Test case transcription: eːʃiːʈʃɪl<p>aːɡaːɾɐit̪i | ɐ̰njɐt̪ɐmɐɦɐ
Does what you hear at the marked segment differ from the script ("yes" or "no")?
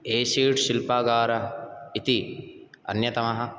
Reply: no